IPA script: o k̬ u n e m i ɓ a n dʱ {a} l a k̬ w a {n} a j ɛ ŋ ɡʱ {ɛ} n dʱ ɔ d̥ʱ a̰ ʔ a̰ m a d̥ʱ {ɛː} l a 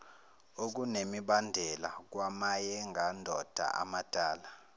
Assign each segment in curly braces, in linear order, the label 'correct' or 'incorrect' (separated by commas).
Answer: incorrect, incorrect, incorrect, incorrect